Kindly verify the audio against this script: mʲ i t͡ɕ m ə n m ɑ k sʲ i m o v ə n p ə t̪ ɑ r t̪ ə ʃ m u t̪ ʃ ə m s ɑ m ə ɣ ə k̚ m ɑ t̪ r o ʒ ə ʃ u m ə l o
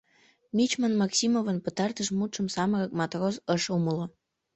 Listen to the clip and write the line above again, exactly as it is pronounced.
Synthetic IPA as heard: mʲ i t͡ɕ m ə n m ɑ k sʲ i m o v ə n p ə t̪ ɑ r t̪ ə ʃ m u t̪ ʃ ə m s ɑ m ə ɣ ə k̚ m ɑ t̪ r o z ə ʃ u m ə l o